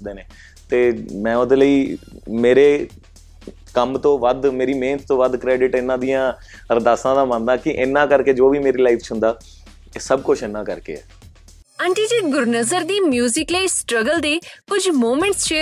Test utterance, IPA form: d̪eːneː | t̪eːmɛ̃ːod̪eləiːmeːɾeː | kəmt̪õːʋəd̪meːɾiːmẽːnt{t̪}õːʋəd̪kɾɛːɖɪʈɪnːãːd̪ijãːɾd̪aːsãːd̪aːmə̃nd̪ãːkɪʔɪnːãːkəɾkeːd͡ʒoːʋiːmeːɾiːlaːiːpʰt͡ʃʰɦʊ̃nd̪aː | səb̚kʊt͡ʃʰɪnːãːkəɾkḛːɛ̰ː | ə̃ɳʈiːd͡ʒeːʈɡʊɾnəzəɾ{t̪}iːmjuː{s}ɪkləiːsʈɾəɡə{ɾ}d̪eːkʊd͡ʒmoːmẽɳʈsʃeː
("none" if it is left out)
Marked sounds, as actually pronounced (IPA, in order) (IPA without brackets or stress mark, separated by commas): t̪, d̪, z, l